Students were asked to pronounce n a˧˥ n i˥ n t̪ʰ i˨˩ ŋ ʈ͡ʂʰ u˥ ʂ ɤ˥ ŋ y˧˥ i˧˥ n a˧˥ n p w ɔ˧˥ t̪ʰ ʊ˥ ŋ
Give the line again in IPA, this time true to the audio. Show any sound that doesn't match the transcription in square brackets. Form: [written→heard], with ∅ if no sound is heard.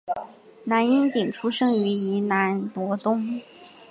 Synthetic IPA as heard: n a˧˥ n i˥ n [t̪ʰ→t̪] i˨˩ ŋ ʈ͡ʂʰ u˥ ʂ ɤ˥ ŋ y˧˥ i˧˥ n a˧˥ n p w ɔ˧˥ [t̪ʰ→t̪] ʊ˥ ŋ